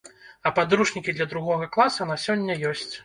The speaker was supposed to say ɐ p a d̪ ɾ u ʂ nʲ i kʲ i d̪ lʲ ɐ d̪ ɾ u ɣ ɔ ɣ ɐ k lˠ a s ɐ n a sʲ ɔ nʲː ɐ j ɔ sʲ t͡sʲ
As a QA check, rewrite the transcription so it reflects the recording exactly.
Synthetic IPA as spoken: ɐ p a d̪ ɾ u ʂ nʲ i kʲ i d̪ lʲ ɐ d̪ ɾ u ɣ ɔ ɣ ɐ k lˠ a s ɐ n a sʲ ɔ nʲː ɐ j ɔ sʲ t͡sʲ